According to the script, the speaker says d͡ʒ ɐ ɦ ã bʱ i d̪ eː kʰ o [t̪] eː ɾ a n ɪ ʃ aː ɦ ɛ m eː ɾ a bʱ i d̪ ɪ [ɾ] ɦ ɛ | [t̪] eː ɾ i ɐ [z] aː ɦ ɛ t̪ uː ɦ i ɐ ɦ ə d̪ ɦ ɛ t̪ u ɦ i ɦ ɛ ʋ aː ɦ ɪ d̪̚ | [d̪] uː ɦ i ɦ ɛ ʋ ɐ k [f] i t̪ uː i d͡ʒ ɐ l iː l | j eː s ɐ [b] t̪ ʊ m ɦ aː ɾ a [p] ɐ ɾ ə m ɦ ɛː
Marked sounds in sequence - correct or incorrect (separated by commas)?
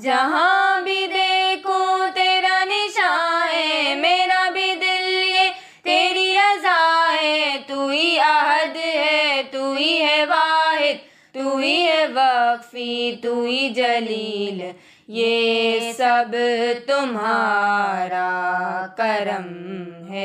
correct, incorrect, correct, correct, incorrect, correct, correct, incorrect